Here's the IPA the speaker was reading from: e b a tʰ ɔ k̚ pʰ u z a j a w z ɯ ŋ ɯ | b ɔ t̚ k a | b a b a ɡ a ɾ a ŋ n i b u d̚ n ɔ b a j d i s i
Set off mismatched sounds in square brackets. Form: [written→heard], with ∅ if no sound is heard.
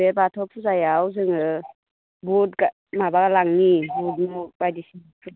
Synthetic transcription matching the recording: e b a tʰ ɔ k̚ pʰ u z a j a w z ɯ ŋ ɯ | b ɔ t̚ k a | [b→m] a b a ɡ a [ɾ→l] a ŋ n i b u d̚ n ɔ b a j d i s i